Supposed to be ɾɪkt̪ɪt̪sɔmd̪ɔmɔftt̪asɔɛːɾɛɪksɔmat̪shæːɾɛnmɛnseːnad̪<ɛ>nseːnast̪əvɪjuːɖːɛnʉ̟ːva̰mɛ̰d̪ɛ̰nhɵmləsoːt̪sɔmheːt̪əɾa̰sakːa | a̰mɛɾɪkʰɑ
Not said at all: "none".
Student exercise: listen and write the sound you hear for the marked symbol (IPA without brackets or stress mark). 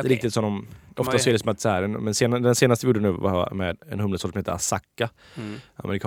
ɛ